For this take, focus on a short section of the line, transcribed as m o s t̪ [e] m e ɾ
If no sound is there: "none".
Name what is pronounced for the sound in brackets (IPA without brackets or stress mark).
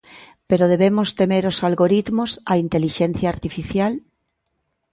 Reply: e